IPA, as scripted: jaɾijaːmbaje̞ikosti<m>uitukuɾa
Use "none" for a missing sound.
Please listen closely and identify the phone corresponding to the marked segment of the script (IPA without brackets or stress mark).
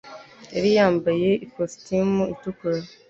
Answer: m